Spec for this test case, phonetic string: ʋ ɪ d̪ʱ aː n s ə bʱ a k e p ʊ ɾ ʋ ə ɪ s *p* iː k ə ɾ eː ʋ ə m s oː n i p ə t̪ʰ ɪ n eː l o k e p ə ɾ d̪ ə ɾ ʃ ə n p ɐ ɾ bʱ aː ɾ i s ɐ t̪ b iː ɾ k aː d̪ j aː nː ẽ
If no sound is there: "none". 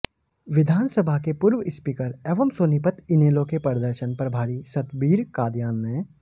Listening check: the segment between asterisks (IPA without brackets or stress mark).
p